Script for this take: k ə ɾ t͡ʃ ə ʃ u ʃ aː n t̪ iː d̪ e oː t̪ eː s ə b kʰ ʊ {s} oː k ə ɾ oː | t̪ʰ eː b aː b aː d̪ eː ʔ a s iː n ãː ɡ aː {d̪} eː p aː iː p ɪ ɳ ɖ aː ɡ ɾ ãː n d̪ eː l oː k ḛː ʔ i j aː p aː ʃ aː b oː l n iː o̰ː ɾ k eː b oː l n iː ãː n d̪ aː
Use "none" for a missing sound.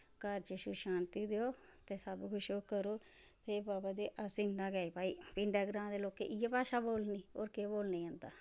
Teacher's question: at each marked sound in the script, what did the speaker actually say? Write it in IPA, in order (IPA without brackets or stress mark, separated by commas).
ʃ, none